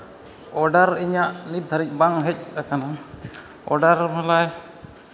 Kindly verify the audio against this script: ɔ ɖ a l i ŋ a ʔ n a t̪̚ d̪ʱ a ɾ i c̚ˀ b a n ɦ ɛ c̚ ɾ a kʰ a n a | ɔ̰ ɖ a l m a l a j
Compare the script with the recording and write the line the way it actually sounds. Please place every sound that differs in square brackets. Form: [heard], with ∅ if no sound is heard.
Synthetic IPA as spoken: ɔ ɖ a [ɾ] i [ɲ] a ʔ n [i] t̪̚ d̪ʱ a ɾ i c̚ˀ b a [ŋ] ɦ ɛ c̚ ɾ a [k] a n a | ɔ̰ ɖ a [ɾ] m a l a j